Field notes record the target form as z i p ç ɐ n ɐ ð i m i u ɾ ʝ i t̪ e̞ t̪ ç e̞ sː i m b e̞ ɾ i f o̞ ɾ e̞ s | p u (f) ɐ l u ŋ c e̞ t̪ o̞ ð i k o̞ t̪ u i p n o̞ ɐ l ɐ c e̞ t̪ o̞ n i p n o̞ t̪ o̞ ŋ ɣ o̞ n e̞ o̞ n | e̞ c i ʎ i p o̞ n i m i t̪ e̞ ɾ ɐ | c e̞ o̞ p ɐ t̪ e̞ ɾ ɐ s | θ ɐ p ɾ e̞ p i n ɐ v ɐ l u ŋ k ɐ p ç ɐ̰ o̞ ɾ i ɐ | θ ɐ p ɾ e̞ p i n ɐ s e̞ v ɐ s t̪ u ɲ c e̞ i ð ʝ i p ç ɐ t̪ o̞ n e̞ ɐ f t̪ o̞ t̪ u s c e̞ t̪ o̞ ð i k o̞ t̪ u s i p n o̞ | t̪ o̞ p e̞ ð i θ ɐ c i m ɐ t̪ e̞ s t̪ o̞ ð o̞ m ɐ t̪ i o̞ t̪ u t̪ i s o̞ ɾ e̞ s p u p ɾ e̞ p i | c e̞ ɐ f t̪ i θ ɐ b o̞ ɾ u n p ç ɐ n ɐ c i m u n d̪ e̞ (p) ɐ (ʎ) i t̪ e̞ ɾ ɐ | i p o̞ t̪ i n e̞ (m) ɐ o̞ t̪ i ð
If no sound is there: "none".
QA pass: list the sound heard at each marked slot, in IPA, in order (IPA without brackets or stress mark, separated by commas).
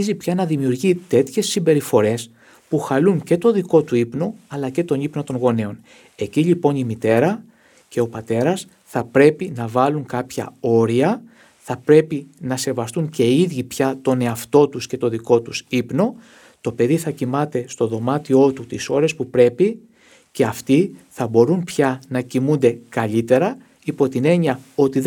x, k, ʎ, ɲ